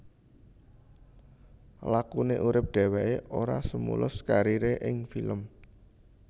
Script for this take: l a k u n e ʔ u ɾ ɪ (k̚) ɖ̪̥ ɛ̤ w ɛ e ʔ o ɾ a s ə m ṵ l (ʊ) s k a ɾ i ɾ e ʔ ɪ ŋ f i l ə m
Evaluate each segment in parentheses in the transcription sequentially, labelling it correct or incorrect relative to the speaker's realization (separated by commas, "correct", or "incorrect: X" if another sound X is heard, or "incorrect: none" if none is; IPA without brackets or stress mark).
incorrect: p̚, correct